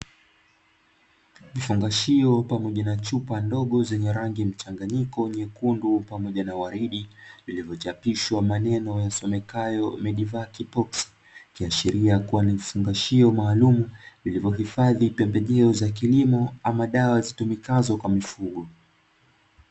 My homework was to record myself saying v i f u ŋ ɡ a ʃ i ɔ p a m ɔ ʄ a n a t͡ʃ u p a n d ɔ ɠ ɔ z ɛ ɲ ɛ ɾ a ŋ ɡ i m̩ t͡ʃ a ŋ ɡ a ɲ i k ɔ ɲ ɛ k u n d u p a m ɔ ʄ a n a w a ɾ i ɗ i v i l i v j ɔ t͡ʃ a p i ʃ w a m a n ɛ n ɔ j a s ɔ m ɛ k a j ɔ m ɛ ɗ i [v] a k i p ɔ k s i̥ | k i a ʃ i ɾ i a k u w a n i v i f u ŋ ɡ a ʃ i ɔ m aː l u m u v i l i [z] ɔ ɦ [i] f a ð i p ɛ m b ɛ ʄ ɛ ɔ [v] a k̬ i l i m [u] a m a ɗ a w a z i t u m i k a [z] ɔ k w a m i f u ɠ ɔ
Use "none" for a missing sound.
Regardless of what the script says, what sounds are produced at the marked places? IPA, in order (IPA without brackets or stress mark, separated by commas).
v, v, i, z, ɔ, z